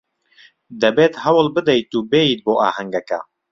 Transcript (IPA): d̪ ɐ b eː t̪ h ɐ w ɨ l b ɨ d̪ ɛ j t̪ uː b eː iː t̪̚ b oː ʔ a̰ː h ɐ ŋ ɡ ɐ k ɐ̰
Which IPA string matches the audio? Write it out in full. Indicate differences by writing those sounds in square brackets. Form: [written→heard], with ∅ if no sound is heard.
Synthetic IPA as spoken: d̪ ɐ b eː t̪ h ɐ w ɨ l b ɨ d̪ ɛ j t̪ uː b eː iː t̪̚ b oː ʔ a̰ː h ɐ ŋ ɡ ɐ k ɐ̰